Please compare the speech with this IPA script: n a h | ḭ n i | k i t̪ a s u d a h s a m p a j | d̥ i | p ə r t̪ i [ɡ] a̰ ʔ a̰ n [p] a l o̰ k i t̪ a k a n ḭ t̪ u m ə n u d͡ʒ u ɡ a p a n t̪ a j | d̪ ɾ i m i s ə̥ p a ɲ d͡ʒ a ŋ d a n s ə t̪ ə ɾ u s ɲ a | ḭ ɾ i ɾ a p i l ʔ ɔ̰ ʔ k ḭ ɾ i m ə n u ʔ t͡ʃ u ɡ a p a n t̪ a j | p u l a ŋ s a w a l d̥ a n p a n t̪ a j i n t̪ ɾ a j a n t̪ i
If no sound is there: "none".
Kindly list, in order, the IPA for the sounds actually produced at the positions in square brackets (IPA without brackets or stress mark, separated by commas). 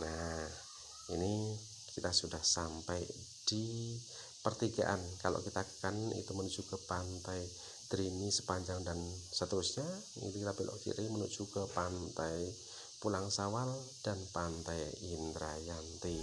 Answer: ɡ, k